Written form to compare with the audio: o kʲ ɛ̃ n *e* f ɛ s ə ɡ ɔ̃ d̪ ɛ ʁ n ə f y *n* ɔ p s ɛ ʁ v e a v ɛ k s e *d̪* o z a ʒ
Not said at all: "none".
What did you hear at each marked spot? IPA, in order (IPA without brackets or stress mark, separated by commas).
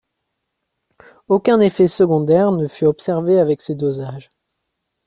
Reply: e, none, d̪